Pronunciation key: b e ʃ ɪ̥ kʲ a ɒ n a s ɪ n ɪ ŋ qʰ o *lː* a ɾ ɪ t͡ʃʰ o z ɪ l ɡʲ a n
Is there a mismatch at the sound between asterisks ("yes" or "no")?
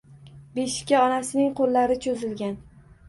no